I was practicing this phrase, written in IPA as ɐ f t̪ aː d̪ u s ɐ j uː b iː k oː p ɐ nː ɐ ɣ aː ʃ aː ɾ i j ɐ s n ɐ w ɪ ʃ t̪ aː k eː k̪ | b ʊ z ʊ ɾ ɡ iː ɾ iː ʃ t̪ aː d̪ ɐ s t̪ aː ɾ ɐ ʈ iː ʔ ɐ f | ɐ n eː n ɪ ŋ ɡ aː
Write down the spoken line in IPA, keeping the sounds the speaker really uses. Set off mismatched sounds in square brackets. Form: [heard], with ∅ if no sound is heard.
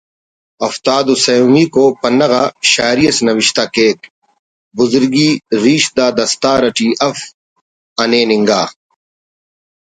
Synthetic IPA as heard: ɐ f t̪ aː d̪ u s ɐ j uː [m] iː k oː p ɐ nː ɐ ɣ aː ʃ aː ɾ i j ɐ s n ɐ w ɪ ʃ t̪ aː k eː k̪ | b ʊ z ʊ ɾ ɡ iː ɾ iː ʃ [d̪] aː d̪ ɐ s t̪ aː ɾ ɐ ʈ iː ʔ ɐ f | ɐ n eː n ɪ ŋ ɡ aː